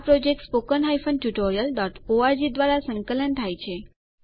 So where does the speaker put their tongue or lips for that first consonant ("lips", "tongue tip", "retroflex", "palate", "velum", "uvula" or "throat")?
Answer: lips